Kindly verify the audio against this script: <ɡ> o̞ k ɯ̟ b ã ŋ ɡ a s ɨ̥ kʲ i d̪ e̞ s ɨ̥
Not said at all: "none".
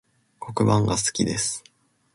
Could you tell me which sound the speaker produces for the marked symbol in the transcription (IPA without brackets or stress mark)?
k